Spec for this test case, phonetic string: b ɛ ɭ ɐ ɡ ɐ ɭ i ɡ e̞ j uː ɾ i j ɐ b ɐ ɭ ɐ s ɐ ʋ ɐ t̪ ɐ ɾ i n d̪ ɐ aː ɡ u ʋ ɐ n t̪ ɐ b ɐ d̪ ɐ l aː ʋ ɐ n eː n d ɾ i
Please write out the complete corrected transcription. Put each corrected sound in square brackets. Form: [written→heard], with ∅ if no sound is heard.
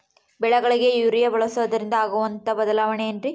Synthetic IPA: b ɛ ɭ ɐ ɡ ɐ ɭ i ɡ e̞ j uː ɾ i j ɐ b ɐ ɭ ɐ s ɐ ʋ ɐ [t̪→d̪] ɐ ɾ i n d̪ ɐ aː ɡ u ʋ ɐ n t̪ ɐ b ɐ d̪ ɐ l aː ʋ ɐ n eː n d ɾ i